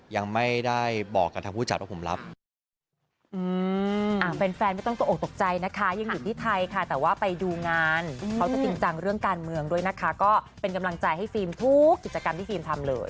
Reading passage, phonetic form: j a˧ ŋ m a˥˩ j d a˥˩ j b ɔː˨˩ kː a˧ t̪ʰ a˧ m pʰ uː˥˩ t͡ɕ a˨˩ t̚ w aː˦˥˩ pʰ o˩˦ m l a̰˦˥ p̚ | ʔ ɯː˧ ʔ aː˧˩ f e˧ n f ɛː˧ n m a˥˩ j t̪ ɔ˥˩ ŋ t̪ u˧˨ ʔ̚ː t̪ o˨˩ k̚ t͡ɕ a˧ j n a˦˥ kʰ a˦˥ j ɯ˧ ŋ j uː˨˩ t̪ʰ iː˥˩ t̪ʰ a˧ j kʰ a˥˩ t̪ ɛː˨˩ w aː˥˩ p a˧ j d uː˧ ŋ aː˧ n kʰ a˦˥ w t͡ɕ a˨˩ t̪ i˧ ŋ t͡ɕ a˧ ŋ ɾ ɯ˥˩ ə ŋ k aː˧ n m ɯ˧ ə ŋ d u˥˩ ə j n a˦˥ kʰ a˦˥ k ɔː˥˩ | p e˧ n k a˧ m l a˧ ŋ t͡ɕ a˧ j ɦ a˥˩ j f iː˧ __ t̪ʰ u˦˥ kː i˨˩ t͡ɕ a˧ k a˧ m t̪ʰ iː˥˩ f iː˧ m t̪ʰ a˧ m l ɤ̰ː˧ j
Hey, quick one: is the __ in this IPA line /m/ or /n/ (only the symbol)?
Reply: m